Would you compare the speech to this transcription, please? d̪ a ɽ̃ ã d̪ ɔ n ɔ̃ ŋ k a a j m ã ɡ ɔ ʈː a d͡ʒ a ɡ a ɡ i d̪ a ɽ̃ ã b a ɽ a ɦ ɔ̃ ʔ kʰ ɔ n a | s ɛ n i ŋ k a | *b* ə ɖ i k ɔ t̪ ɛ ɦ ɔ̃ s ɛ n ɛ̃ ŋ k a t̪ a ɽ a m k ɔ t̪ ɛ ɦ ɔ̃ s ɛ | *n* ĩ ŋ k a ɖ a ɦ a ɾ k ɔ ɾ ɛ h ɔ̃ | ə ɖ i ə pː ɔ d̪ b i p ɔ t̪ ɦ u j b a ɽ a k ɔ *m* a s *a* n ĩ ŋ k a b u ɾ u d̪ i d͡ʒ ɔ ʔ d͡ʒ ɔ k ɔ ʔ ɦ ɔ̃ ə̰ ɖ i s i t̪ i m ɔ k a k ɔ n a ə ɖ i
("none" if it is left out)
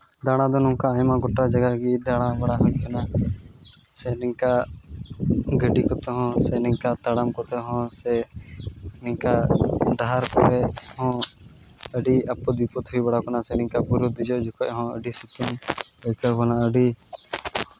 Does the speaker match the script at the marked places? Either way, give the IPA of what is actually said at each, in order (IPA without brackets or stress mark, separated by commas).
ɡ, n, n, ɛ